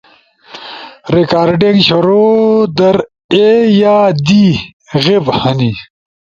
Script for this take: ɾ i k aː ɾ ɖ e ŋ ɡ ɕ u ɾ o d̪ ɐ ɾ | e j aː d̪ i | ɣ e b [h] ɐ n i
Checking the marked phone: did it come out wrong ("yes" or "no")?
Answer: no